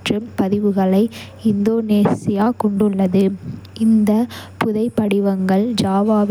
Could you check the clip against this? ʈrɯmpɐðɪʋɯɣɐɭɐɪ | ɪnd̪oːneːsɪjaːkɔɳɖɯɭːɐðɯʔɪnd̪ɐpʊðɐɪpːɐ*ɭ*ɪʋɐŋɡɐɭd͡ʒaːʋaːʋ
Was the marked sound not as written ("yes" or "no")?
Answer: yes